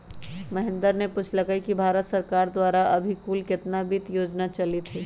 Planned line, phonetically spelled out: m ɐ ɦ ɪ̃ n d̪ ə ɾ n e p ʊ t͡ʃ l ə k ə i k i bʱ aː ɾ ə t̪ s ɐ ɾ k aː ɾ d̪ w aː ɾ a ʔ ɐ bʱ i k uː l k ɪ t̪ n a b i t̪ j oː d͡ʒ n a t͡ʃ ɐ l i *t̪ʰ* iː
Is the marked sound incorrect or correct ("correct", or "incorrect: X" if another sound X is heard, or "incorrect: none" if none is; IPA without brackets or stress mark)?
correct